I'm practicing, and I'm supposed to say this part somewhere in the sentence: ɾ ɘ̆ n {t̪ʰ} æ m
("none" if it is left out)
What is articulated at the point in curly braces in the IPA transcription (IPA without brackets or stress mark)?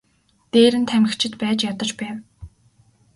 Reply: t̪ʰ